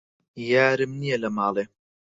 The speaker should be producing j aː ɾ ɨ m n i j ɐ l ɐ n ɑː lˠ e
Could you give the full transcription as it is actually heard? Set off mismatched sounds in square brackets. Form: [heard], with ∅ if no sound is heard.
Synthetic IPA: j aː ɾ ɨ m n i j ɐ l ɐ [m] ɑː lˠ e